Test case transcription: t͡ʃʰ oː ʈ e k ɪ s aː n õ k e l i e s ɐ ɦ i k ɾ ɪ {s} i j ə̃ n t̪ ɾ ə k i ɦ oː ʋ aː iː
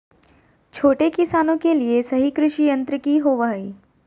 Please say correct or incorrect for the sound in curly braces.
incorrect